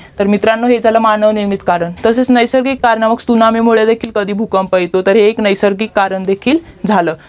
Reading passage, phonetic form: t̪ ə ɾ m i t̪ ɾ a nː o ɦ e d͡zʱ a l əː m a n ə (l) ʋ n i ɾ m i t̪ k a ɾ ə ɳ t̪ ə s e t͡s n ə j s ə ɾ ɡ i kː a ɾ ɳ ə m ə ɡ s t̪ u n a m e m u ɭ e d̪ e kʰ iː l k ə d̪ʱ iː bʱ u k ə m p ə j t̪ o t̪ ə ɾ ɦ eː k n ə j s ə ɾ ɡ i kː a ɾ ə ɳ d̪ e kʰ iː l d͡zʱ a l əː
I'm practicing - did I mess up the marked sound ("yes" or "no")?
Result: yes